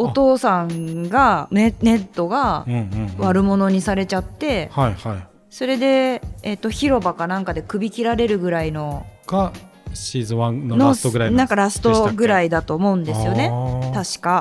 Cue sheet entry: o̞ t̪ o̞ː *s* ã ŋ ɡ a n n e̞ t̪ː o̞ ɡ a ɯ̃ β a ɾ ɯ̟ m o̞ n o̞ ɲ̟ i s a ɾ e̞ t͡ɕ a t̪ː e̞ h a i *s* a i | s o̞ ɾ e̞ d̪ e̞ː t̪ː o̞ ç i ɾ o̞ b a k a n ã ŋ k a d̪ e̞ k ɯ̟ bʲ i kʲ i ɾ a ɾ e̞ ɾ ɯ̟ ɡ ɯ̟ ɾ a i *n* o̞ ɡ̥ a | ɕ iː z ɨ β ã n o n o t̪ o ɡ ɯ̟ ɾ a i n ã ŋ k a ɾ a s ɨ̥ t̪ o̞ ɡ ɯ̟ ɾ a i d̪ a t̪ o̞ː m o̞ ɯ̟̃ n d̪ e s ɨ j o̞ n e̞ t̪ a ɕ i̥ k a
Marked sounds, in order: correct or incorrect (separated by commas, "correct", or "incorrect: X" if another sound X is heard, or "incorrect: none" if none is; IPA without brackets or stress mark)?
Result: correct, incorrect: h, correct